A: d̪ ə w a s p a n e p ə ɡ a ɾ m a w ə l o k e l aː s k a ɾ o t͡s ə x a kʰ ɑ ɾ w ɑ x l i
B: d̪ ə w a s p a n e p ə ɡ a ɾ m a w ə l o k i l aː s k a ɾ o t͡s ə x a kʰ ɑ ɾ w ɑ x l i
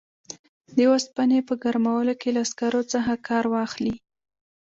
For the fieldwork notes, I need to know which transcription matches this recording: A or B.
A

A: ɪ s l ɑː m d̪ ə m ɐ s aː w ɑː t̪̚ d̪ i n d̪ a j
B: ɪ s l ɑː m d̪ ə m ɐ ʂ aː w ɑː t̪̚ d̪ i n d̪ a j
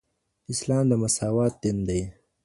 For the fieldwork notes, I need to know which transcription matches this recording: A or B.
A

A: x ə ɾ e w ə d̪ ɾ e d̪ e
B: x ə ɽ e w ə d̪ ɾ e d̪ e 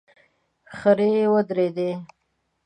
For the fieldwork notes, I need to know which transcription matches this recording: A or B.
A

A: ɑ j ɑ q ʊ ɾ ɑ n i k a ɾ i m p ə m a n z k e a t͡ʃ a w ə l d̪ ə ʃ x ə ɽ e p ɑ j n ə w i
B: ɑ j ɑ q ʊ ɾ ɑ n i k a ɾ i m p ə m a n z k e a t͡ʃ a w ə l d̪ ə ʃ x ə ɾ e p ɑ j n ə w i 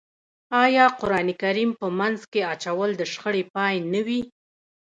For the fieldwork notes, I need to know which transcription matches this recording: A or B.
A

